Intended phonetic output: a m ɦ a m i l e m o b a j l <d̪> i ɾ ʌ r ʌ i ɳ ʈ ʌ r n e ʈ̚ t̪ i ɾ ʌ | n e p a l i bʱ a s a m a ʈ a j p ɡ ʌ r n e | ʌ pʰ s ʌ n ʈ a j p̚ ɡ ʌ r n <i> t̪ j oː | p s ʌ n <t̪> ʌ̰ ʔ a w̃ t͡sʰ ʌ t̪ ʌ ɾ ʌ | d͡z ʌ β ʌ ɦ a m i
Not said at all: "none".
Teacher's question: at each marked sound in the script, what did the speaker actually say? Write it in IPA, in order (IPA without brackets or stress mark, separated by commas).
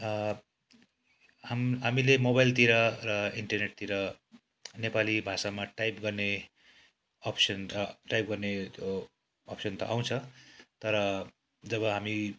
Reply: t̪, e, t̪